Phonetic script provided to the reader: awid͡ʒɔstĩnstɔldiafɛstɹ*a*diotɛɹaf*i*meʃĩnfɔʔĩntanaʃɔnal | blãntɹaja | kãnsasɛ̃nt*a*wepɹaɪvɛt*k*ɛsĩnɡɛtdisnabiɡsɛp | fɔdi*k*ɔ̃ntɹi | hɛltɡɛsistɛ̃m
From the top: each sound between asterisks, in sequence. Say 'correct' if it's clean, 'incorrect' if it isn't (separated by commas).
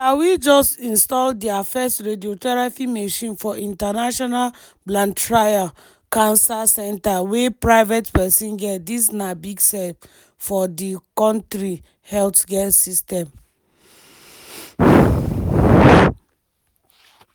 incorrect, correct, correct, incorrect, correct